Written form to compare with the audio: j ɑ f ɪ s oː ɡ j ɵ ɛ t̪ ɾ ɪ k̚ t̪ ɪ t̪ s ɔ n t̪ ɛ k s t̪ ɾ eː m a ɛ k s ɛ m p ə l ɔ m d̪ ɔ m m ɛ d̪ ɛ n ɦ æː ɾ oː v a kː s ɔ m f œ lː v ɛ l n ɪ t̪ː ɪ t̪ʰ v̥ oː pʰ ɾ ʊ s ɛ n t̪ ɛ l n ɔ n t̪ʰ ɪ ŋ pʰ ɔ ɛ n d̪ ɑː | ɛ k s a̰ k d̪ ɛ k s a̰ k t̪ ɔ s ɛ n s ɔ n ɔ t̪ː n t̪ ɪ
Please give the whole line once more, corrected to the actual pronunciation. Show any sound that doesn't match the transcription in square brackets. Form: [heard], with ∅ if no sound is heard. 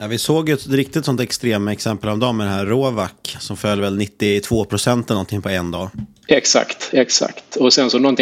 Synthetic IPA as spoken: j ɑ [v] ɪ s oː ɡ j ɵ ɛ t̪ ɾ ɪ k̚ t̪ ɪ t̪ s ɔ n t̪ ɛ k s t̪ ɾ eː m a ɛ k s ɛ m p ə l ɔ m d̪ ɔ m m ɛ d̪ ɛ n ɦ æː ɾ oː v a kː s ɔ m f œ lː v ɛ l n ɪ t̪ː ɪ t̪ʰ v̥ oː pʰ ɾ ʊ s ɛ n t̪ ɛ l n ɔ n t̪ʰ ɪ ŋ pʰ ɔ ɛ n d̪ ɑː | ɛ k s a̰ k [t̪] ɛ k s a̰ k t̪ ɔ s ɛ n s ɔ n ɔ [∅] n t̪ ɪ